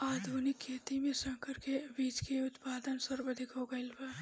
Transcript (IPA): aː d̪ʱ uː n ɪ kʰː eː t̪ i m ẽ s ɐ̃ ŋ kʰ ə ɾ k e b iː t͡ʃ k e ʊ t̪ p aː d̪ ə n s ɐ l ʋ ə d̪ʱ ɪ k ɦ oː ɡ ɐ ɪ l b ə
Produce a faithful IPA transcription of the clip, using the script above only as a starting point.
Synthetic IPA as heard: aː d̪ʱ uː n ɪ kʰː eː t̪ i m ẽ s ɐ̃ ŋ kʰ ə ɾ k e b iː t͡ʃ k e ʊ t̪ p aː d̪ ə n s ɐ ɾ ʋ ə d̪ʱ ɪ k ɦ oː ɡ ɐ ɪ l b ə